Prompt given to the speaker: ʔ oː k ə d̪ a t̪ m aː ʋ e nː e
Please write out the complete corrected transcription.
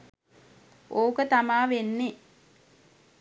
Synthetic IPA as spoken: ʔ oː k ə t̪ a m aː ʋ e nː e